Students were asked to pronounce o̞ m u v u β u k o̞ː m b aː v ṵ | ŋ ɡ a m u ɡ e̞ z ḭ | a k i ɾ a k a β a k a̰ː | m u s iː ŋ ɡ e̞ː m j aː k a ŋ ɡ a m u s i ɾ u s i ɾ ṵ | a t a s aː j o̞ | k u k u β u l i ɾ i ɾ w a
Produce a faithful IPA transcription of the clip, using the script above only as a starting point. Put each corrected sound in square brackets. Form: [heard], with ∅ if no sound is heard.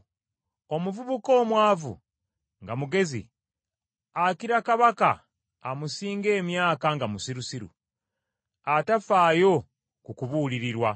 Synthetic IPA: o̞ m u v u β u k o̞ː m [w] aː v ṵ | ŋ ɡ a m u ɡ e̞ z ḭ | a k i ɾ a k a β a k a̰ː | m u s iː ŋ ɡ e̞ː m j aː k a ŋ ɡ a m u s i ɾ u s i ɾ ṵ | a t a [f] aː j o̞ | k u k u β u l i ɾ i ɾ w a

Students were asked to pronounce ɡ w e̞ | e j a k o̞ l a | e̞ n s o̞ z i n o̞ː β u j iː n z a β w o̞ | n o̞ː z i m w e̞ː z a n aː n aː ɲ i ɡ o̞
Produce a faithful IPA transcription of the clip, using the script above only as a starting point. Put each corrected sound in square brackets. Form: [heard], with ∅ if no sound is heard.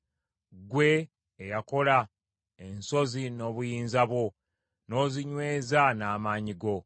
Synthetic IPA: ɡ w e̞ | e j a k o̞ l a | e̞ n s o̞ z i n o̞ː β u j iː n z a β w o̞ | n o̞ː z i [ɲ] w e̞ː z a n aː [m] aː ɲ i ɡ o̞

